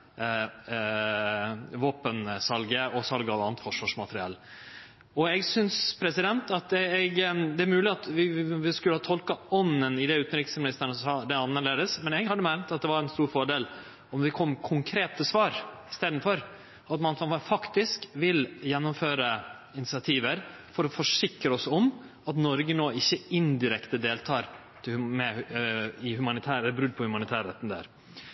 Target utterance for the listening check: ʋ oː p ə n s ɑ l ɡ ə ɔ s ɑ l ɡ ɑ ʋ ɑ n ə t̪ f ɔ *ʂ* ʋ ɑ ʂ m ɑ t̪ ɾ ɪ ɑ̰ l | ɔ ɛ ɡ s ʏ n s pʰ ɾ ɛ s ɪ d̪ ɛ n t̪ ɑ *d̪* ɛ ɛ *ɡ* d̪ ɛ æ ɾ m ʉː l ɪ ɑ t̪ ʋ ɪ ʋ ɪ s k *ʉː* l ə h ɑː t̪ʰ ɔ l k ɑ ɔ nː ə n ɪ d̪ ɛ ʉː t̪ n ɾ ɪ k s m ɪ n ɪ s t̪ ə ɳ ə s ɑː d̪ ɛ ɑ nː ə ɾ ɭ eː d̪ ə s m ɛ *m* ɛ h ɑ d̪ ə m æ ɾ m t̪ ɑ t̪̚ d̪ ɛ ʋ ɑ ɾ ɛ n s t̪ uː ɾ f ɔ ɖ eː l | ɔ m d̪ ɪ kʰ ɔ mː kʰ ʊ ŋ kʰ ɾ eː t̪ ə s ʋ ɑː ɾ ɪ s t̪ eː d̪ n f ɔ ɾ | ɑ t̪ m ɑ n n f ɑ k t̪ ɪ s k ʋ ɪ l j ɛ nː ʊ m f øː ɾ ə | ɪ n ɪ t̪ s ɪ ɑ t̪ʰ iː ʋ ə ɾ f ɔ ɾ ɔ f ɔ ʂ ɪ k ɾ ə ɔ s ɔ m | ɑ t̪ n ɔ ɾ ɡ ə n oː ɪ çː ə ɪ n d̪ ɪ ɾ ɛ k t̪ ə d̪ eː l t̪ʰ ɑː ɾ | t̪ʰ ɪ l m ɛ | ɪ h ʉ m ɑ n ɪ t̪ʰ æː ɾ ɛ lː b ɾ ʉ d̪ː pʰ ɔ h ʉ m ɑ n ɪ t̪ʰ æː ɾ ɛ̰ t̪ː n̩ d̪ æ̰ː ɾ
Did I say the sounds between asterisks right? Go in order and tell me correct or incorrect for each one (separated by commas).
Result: correct, incorrect, correct, incorrect, incorrect